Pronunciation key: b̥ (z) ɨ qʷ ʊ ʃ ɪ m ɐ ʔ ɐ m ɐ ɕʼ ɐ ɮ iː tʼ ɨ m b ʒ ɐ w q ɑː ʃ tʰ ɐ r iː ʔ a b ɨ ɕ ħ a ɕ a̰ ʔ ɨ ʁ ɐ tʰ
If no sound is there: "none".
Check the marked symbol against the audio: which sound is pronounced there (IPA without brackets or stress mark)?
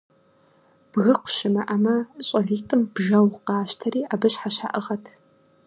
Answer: ɣ